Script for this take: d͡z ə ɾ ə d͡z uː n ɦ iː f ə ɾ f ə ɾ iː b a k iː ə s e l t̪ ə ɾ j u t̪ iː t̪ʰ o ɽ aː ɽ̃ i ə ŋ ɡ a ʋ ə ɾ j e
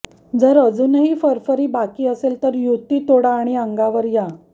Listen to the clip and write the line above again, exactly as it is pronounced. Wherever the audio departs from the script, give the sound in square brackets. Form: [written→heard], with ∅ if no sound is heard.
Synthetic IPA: d͡z ə ɾ ə d͡z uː n ɦ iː f ə ɾ f ə ɾ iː b a k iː ə s e l t̪ ə ɾ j u t̪ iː [t̪ʰ→t̪] o ɽ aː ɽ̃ i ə ŋ ɡ a ʋ ə ɾ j [e→a]